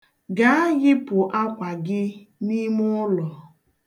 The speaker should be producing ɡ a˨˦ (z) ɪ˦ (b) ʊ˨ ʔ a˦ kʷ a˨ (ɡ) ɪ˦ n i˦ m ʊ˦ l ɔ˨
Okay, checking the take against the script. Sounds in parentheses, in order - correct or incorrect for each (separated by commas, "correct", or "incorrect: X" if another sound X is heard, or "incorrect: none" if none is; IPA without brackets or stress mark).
incorrect: ɣ, incorrect: p, correct